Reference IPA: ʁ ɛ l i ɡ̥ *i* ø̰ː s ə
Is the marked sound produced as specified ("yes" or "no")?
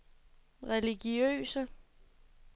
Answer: yes